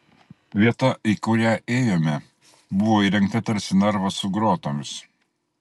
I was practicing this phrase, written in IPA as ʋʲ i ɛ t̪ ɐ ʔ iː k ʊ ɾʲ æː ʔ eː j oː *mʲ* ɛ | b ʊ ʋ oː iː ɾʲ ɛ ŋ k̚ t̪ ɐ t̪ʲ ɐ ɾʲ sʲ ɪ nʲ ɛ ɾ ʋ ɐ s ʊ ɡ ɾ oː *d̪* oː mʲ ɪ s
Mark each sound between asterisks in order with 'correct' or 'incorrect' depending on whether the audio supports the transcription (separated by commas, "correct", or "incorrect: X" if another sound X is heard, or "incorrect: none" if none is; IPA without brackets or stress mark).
correct, incorrect: t̪